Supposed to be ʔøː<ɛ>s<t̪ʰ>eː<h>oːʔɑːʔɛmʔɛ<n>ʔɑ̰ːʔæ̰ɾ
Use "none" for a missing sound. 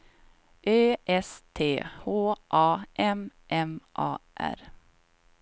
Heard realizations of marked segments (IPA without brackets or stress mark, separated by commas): ɛ, t̪ʰ, h, m